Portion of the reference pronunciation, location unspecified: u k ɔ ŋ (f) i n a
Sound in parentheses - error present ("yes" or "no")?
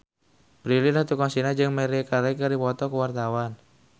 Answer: yes